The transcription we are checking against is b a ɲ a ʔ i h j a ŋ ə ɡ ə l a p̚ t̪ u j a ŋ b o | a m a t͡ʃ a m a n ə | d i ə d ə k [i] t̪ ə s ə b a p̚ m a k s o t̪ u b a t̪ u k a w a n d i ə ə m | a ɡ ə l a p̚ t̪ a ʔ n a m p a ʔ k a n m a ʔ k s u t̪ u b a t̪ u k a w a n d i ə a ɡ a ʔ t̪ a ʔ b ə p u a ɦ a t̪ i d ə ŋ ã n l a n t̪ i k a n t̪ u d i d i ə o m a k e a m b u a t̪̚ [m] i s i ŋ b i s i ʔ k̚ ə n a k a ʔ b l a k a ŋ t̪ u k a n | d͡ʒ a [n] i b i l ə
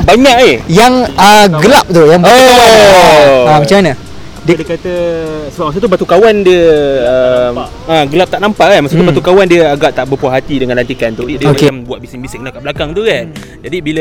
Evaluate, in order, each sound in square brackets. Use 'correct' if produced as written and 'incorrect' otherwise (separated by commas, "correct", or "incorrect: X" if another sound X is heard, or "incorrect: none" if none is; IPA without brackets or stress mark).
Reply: incorrect: a, incorrect: b, incorrect: d